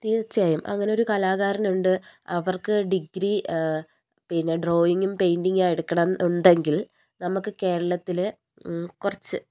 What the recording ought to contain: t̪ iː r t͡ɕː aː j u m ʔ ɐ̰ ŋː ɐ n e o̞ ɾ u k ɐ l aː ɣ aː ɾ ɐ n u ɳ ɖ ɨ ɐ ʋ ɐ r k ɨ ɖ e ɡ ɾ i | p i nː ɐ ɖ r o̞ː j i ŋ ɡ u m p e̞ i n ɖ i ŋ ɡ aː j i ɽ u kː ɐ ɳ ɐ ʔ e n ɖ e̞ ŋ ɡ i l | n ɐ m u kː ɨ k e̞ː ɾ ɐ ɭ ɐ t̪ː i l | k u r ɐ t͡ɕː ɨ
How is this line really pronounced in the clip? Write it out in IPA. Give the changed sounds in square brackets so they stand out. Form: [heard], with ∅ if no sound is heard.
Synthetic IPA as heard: t̪ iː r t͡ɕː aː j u m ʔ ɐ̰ ŋː ɐ n e o̞ ɾ u k ɐ l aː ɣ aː ɾ ɐ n u ɳ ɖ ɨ ɐ ʋ ɐ r k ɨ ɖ [i] ɡ ɾ i | p i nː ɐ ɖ r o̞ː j i ŋ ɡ u m p e̞ [j] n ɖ i ŋ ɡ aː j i ɽ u kː ɐ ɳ ɐ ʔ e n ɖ e̞ ŋ ɡ i l | n ɐ m u kː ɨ k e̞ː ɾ ɐ ɭ ɐ t̪ː i l | k u r ɐ t͡ɕː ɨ